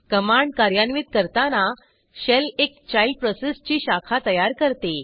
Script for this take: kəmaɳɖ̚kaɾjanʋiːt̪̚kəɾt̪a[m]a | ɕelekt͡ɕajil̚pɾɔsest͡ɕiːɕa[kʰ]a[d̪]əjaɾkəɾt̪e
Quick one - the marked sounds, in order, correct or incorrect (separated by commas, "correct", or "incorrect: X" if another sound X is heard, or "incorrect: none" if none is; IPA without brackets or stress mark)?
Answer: incorrect: n, correct, incorrect: t̪